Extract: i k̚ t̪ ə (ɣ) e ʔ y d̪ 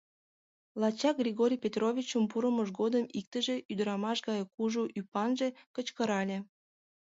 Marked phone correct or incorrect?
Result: incorrect: ʒ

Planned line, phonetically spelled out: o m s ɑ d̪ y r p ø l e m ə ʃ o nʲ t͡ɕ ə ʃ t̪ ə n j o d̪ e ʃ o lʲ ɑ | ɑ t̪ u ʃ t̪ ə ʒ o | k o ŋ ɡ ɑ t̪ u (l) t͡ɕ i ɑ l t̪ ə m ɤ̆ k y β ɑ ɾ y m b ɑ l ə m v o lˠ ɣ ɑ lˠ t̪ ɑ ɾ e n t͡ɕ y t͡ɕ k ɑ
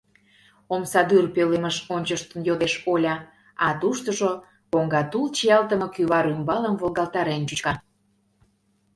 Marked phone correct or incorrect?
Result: correct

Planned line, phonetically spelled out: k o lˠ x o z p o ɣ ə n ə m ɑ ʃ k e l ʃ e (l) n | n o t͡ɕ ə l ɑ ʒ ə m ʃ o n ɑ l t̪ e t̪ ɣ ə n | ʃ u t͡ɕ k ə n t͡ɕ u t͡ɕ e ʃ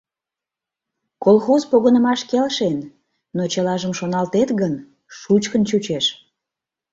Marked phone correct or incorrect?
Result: incorrect: none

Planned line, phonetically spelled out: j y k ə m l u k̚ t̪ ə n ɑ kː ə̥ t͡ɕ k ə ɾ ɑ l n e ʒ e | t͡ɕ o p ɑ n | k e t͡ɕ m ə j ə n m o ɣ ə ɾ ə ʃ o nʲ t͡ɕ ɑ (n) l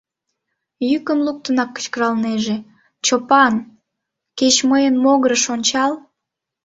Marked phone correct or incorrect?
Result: incorrect: none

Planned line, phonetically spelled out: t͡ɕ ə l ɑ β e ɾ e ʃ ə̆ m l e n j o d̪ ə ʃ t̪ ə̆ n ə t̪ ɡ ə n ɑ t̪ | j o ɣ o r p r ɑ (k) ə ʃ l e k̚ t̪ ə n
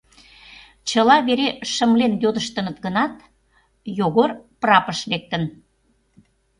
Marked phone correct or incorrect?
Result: incorrect: p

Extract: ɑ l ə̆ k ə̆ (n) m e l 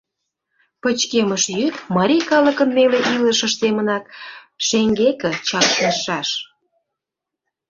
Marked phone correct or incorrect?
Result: correct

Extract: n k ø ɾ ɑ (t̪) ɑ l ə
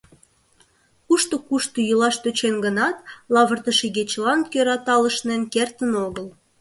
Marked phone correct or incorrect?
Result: correct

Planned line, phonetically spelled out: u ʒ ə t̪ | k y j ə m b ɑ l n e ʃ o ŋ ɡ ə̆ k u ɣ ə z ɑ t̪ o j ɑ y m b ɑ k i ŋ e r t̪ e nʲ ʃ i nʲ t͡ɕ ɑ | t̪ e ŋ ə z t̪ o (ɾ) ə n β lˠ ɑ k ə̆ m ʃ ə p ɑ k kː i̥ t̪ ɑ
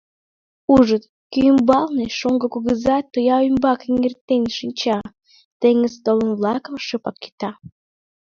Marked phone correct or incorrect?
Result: incorrect: l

